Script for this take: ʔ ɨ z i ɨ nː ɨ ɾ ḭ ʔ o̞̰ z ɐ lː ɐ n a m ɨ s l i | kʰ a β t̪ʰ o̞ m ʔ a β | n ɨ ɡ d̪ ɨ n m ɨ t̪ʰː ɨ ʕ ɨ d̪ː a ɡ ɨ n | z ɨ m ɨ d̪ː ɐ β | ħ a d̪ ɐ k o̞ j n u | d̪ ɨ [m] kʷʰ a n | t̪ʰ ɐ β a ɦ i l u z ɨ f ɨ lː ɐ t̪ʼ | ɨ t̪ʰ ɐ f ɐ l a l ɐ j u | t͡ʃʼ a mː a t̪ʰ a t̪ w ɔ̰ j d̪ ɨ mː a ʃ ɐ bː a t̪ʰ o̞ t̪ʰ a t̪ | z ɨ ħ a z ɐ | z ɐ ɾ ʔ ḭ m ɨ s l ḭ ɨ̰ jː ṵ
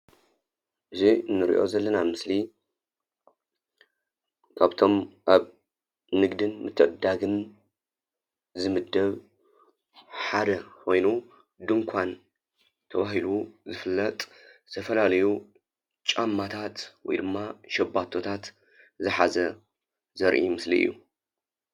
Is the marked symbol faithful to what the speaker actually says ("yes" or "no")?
no